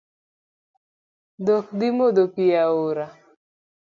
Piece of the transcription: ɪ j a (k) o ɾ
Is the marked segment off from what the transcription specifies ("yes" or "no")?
yes